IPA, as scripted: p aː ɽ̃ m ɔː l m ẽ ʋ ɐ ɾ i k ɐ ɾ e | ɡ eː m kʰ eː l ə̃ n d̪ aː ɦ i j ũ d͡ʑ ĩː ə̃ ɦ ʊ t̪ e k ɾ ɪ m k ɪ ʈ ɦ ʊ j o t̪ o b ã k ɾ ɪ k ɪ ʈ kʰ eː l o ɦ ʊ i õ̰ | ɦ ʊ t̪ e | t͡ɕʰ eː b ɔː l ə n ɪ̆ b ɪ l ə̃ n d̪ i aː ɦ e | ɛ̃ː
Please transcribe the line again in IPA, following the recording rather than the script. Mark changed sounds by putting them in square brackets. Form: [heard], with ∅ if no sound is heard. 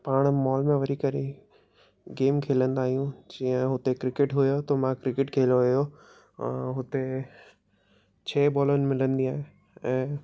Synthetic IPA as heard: p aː ɽ̃ m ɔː l m ẽ ʋ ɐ ɾ i k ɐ ɾ e | ɡ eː m kʰ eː l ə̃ n d̪ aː ɦ i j ũ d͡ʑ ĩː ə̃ ɦ ʊ t̪ e k ɾ ɪ [∅] k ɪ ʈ ɦ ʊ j o t̪ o [m] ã k ɾ ɪ k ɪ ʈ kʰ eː l o ɦ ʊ [j] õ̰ | ɦ ʊ t̪ e | t͡ɕʰ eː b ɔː l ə n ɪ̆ [m] ɪ l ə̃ n d̪ i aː ɦ e | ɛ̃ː

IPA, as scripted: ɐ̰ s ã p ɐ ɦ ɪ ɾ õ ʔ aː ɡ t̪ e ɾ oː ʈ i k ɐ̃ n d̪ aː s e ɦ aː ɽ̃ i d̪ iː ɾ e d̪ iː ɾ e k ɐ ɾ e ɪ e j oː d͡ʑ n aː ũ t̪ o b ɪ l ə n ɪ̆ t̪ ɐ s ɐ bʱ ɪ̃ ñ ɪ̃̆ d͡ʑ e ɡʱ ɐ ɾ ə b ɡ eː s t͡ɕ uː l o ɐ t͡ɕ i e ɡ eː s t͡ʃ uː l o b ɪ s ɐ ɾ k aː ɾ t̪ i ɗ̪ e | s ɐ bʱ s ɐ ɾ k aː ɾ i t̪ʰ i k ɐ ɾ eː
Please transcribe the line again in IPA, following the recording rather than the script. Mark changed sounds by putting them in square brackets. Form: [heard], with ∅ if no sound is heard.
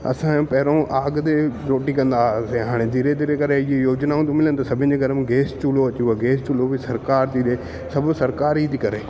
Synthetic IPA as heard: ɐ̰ s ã p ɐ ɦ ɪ ɾ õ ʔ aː ɡ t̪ e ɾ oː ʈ i k ɐ̃ n d̪ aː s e ɦ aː ɽ̃ [e] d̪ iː ɾ e d̪ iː ɾ e k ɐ ɾ e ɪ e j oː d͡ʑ n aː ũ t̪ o [m] ɪ l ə n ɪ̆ t̪ ɐ s ɐ bʱ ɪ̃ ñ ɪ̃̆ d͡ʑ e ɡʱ ɐ ɾ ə [m] ɡ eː s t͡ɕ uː l o ɐ t͡ɕ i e ɡ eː s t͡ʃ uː l o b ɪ s ɐ ɾ k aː ɾ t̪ i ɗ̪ e | s ɐ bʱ s ɐ ɾ k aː ɾ i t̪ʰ i k ɐ ɾ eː

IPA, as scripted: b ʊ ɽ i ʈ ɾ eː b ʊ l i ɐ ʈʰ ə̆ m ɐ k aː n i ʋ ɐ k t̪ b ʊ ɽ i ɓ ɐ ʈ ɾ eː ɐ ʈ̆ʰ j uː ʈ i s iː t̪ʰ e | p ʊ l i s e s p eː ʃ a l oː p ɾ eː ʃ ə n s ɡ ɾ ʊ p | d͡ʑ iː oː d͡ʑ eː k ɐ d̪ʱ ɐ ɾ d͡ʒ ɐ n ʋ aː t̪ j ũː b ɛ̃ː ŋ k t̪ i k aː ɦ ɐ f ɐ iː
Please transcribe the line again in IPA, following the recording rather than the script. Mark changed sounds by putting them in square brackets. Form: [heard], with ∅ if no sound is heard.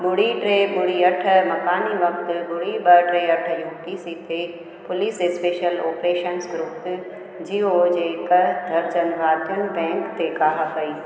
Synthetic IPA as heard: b ʊ ɽ i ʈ ɾ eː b ʊ [ɽ] i ɐ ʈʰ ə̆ m ɐ k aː n i ʋ ɐ k t̪ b ʊ ɽ i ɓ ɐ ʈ ɾ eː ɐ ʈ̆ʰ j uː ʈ i s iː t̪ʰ e | p ʊ l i s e s p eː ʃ [ə] l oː p ɾ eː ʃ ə n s ɡ ɾ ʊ p | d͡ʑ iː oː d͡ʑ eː k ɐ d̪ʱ ɐ ɾ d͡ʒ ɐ n ʋ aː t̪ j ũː b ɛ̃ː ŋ k t̪ [e] k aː ɦ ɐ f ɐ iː

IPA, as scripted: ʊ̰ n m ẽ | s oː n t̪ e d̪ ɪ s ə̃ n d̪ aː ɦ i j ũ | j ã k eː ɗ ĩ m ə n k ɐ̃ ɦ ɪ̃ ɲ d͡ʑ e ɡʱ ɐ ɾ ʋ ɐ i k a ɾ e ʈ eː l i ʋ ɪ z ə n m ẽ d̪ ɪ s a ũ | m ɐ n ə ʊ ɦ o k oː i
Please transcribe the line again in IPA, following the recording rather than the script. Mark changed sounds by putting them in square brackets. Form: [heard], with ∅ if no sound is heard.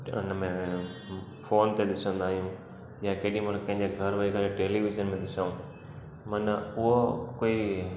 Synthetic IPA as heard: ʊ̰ n m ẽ | [f] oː n t̪ e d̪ ɪ s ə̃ n d̪ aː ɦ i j ũ | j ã k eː ɗ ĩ m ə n k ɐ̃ ɦ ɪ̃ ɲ d͡ʑ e ɡʱ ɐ ɾ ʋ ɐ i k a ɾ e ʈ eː l i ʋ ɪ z ə n m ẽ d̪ ɪ s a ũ | m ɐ n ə ʊ ɦ o k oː i

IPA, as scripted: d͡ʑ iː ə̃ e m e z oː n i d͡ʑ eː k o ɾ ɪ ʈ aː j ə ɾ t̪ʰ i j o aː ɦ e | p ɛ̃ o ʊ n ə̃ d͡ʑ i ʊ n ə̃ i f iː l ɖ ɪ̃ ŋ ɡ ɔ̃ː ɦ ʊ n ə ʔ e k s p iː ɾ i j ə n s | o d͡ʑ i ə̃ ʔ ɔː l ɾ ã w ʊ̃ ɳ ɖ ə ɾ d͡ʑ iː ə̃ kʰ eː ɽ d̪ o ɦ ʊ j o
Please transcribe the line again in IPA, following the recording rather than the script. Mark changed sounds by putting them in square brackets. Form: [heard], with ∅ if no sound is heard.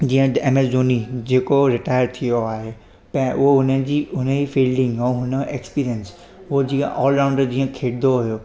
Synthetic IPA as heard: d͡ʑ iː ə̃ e m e z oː n i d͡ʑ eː k o ɾ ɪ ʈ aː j ə ɾ t̪ʰ i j o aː ɦ e | p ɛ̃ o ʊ n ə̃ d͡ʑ i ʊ n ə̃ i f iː l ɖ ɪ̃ ŋ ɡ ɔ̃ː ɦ ʊ n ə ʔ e k s p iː ɾ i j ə n s | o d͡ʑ i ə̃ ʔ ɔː l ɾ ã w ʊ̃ ɳ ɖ ə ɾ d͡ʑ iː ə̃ kʰ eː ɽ d̪ o ɦ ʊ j o

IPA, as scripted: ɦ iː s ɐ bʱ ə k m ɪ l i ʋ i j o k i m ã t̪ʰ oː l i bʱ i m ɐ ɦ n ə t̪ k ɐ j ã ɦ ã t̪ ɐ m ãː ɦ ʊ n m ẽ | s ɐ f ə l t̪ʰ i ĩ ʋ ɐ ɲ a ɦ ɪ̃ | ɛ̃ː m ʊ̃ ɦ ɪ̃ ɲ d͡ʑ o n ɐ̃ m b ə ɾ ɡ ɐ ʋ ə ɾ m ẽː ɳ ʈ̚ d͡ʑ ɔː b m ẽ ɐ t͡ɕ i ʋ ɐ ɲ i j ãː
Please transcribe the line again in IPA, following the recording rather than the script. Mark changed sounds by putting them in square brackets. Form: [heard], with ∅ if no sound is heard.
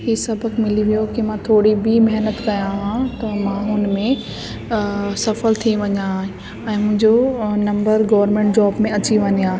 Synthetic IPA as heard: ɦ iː s ɐ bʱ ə k m ɪ l i ʋ i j o k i m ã t̪ʰ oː [ɽ] i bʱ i m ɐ ɦ n ə t̪ k ɐ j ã ɦ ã t̪ ɐ m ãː ɦ ʊ n m ẽ | s ɐ f ə l t̪ʰ i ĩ ʋ ɐ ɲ a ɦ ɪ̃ | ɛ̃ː m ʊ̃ ɦ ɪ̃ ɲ d͡ʑ o n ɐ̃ m b ə ɾ ɡ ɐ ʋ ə ɾ m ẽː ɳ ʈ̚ d͡ʑ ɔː b m ẽ ɐ t͡ɕ i ʋ ɐ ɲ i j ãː

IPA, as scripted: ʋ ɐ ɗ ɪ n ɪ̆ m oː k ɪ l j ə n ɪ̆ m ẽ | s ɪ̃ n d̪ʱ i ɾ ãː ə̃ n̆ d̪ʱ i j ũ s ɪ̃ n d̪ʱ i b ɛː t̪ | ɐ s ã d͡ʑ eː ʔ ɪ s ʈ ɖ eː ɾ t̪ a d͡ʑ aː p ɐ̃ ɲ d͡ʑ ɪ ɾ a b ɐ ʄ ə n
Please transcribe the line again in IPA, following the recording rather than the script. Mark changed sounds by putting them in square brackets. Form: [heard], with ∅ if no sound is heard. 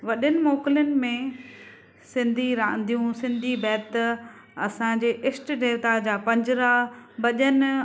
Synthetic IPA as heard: ʋ ɐ ɗ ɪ n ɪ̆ m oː k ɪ l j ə n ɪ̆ m ẽ | s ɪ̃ n d̪ʱ i ɾ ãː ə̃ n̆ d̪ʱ i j ũ s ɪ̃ n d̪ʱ i b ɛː t̪ | ɐ s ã d͡ʑ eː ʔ ɪ s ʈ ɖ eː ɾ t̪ a d͡ʑ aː p ɐ̃ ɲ d͡ʑ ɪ ɾ a b ɐ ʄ ə n

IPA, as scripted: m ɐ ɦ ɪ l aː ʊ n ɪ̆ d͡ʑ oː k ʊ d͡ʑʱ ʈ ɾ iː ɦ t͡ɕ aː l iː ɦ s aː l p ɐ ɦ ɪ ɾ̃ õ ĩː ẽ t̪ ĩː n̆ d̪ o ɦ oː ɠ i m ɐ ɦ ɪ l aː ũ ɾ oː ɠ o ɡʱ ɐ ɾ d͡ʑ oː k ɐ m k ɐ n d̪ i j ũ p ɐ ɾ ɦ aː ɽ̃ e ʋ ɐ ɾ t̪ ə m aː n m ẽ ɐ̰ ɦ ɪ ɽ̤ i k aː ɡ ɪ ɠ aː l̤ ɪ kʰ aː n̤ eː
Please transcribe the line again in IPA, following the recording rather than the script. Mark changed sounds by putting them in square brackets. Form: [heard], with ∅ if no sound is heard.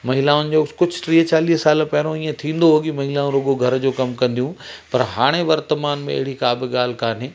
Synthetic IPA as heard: m ɐ ɦ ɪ l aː ʊ n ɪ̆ d͡ʑ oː k ʊ d͡ʑʱ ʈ ɾ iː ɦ t͡ɕ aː l iː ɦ s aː l p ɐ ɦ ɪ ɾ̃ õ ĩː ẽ [t̪ʰ] ĩː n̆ d̪ o ɦ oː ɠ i m ɐ ɦ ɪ l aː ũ ɾ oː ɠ o ɡʱ ɐ ɾ d͡ʑ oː k ɐ m k [ɐ̃] n d̪ i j ũ p ɐ ɾ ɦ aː ɽ̃ e ʋ ɐ ɾ t̪ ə m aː n m ẽ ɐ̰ ɦ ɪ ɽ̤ i k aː [b] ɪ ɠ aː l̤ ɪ [k] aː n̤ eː

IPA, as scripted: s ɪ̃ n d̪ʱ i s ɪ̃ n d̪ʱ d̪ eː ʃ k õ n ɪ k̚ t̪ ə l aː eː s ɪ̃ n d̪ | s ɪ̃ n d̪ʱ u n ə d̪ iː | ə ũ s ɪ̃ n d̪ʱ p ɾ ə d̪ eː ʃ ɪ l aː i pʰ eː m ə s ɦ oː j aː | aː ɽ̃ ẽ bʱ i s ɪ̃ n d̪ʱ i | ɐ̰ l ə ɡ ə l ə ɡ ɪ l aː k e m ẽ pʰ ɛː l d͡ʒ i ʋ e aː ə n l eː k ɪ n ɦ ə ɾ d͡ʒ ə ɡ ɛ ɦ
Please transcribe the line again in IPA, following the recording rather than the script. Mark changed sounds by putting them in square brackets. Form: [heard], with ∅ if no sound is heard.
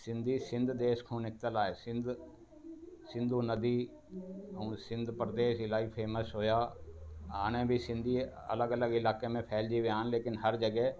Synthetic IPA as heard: s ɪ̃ n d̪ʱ i s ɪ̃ n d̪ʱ d̪ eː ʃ [kʰ] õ n ɪ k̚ t̪ ə l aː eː s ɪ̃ n d̪ | s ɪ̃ n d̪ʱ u n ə d̪ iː | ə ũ s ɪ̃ n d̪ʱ p ɾ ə d̪ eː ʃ ɪ l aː i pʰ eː m ə s ɦ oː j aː | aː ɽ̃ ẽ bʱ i s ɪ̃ n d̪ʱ i | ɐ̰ l ə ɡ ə l ə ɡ ɪ l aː k e m ẽ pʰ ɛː l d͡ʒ i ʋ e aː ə n l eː k ɪ n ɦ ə ɾ d͡ʒ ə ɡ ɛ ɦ

